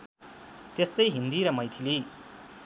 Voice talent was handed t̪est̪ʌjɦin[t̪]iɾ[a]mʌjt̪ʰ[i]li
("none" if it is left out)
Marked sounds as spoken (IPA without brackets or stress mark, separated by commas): d̪, ʌ, i